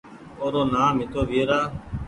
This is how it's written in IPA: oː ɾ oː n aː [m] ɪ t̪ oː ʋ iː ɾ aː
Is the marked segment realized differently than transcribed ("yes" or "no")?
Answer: no